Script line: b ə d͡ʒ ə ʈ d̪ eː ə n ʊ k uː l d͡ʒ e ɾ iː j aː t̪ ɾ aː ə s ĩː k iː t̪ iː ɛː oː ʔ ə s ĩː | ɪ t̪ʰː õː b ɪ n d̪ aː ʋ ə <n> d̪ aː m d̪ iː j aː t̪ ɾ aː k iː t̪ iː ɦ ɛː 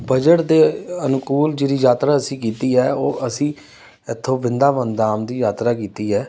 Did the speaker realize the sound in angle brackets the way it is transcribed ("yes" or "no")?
yes